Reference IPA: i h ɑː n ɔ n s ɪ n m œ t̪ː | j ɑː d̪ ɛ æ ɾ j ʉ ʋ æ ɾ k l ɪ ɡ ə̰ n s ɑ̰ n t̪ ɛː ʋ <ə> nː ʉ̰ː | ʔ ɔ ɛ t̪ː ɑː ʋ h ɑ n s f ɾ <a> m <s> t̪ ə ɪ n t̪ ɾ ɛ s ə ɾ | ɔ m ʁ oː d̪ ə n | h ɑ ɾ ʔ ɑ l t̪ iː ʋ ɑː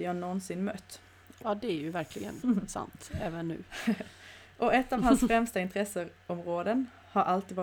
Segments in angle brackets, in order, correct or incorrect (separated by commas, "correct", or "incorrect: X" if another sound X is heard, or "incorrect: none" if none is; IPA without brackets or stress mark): correct, incorrect: ɛ, correct